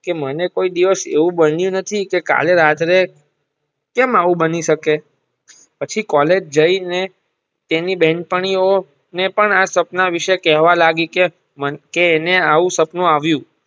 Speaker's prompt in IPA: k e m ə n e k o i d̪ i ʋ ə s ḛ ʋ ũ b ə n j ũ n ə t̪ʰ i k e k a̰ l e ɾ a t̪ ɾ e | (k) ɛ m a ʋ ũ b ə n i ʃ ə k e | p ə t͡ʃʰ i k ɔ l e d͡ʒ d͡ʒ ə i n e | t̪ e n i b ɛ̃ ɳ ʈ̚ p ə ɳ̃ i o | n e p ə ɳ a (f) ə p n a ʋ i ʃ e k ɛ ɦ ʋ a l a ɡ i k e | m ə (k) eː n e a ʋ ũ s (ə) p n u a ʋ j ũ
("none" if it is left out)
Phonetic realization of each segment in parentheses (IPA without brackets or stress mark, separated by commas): k, s, k, ə